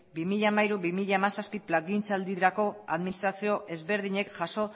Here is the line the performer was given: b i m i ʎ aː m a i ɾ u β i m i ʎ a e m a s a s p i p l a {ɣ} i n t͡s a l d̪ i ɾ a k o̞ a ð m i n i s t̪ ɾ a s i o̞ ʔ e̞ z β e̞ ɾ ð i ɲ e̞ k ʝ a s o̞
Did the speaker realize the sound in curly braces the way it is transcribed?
yes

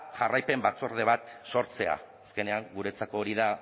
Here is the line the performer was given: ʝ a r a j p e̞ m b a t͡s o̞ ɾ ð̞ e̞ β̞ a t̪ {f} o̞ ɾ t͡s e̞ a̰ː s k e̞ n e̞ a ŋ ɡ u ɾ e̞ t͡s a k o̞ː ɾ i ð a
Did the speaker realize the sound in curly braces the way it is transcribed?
no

